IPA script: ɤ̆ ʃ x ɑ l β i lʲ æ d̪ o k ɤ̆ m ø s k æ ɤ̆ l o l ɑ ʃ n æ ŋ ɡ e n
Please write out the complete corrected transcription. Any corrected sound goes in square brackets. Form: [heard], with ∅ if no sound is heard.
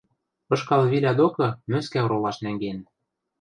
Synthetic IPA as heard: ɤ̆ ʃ [k] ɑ l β i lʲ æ d̪ o k ɤ̆ m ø s k æ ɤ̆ [ɾ] o l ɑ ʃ n æ ŋ ɡ e n